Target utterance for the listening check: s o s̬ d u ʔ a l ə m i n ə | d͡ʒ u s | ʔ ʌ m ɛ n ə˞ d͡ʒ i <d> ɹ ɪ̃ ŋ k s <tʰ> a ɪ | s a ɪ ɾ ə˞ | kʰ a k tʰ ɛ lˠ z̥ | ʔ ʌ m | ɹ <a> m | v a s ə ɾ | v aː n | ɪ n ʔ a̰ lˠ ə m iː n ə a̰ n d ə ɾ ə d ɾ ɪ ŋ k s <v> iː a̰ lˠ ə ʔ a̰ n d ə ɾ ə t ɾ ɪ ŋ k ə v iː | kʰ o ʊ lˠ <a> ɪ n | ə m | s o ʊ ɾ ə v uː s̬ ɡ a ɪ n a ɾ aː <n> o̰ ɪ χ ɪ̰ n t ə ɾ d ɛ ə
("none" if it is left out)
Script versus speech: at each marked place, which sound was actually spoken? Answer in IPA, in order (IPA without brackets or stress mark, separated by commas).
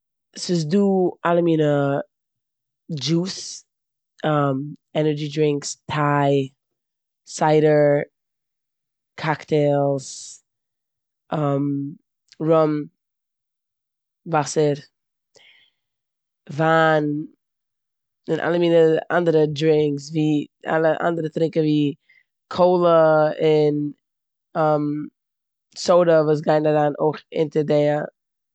d, tʰ, ʌ, v, ə, n